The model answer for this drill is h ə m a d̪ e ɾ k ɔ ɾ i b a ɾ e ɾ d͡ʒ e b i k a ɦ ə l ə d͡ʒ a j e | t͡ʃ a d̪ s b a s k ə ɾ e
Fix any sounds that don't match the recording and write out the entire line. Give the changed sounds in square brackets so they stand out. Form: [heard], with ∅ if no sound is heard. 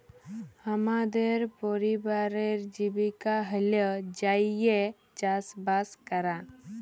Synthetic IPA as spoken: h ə m a d̪ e ɾ [p] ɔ ɾ i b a ɾ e ɾ d͡ʒ [i] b i k a ɦ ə l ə d͡ʒ a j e | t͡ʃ a [∅] s b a s k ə ɾ [a]

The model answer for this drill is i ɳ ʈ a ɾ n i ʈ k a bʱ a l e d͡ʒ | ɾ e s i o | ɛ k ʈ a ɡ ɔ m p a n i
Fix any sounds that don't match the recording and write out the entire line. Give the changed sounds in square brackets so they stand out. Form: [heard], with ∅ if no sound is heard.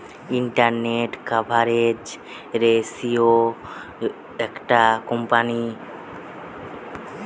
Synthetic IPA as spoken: i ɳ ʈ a ɾ n [e] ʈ k a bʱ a [ɾ] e d͡ʒ | ɾ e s i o | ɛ k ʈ a [k] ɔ m p a n i

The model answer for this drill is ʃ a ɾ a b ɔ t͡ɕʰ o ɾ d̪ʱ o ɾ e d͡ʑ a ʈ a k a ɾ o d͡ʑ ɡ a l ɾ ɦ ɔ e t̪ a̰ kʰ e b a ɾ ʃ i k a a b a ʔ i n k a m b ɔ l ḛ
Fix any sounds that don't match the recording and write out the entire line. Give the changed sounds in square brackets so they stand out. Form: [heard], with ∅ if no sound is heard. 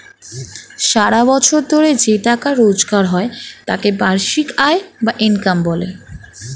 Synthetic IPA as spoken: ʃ a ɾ a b ɔ t͡ɕʰ o ɾ d̪ʱ o ɾ e d͡ʑ [e] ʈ a k a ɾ o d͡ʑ ɡ a [∅] ɾ ɦ ɔ e t̪ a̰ [k] e b a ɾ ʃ i k a [e] b a ʔ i n k a m b ɔ l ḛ

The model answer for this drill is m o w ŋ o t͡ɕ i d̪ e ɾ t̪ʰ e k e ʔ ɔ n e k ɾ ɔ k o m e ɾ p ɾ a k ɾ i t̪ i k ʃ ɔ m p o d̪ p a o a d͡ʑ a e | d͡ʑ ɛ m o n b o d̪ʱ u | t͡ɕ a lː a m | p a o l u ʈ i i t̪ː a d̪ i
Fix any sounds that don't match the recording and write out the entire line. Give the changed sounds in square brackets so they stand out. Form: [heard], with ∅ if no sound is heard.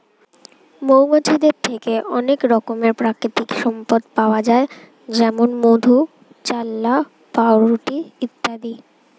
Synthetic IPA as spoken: m o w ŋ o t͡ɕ i d̪ e ɾ t̪ʰ e k e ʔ ɔ n e k ɾ ɔ k o m e ɾ p ɾ a k ɾ i t̪ i k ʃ ɔ m p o d̪ p a o a d͡ʑ a e | d͡ʑ ɛ m o n [m] o d̪ʱ u | t͡ɕ a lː a [∅] | p a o [ɾ] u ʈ i i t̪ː a d̪ i

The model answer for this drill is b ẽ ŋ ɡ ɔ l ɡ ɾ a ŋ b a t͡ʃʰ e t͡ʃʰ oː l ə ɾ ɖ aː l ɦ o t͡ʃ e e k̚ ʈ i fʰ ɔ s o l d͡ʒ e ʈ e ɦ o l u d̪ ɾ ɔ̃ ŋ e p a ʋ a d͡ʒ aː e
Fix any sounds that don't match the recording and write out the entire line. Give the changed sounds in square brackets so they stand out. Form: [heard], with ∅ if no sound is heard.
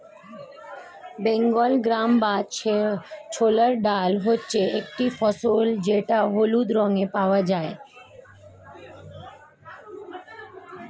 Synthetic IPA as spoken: b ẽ ŋ ɡ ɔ l ɡ ɾ a [m] b a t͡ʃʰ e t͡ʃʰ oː l ə ɾ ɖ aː l ɦ o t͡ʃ e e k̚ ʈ i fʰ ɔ s o l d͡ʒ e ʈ [a] ɦ o l u d̪ ɾ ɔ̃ ŋ e p a ʋ a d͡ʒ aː e

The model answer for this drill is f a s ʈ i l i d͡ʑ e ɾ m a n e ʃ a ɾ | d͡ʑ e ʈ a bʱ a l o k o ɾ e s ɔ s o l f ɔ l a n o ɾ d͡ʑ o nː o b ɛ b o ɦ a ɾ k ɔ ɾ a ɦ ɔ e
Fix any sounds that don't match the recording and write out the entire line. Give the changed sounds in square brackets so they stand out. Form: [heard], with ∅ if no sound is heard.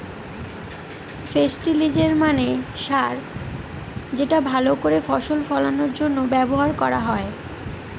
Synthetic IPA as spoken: f [e] s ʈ i l i d͡ʑ e ɾ m a n e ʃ a ɾ | d͡ʑ e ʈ a bʱ a l o k o ɾ e [f] ɔ [ʃ] o l f ɔ l a n o ɾ d͡ʑ o nː o b ɛ b o ɦ a ɾ k ɔ ɾ a ɦ ɔ e

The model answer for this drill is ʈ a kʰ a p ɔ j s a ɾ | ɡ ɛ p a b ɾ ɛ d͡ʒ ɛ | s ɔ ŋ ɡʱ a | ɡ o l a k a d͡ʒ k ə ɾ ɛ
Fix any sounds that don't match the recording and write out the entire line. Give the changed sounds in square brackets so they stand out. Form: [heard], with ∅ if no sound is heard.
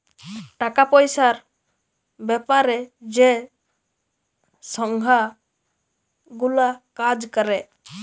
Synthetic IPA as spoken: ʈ a [k] a p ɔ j s a ɾ | [b] ɛ p a [∅] ɾ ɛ d͡ʒ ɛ | s ɔ ŋ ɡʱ a | ɡ [u] l a k a d͡ʒ k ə ɾ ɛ

